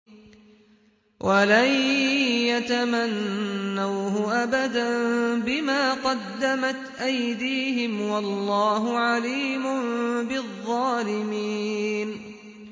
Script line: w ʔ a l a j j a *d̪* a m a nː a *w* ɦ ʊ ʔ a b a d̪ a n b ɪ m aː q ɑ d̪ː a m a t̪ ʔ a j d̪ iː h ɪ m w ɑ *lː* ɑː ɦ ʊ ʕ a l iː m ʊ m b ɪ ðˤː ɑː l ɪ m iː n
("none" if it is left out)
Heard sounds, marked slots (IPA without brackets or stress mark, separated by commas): t̪, w, lː